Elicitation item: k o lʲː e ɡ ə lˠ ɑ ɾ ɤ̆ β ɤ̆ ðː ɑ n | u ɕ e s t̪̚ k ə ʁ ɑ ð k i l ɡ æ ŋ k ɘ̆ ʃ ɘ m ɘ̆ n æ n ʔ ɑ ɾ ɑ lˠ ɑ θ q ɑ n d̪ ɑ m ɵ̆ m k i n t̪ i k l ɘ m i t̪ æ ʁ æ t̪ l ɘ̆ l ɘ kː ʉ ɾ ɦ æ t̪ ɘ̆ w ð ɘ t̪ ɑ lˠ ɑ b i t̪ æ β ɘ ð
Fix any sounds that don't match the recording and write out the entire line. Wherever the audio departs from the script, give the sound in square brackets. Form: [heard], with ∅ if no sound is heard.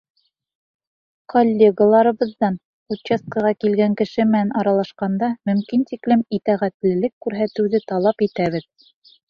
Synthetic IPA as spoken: k o lʲː e ɡ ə lˠ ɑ ɾ ɤ̆ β ɤ̆ ðː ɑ n | u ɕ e s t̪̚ k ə ʁ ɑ [∅] k i l ɡ æ ŋ k ɘ̆ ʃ ɘ m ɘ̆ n æ n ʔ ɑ ɾ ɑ lˠ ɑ [ʃ] q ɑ n d̪ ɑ m ɵ̆ m k i n t̪ i k l ɘ m i t̪ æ ʁ æ t̪ l ɘ̆ l ɘ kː ʉ ɾ ɦ æ t̪ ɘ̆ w ð ɘ t̪ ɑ lˠ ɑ [p] i t̪ æ β ɘ ð